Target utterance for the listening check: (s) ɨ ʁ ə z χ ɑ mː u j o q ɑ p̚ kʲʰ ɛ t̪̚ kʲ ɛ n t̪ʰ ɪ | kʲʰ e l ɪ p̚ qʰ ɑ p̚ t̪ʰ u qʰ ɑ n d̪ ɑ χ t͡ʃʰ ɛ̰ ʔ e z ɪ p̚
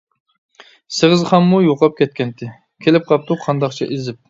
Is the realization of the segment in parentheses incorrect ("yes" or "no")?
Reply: no